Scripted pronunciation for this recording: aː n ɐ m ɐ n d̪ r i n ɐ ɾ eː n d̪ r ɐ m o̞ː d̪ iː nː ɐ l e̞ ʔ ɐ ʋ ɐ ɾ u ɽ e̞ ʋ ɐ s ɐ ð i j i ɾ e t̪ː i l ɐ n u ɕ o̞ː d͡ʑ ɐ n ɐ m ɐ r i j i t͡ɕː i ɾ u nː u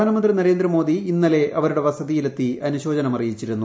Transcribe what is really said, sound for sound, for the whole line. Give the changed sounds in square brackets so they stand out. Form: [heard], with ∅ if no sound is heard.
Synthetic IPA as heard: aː n ɐ m ɐ n d̪ r i n ɐ ɾ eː n d̪ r ɐ m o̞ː d̪ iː nː ɐ l e̞ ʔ ɐ ʋ ɐ ɾ u ɽ e̞ ʋ ɐ s ɐ ð i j i [l] e t̪ː i [∅] ɐ n u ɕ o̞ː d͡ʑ ɐ n ɐ m ɐ r i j i t͡ɕː i ɾ u nː u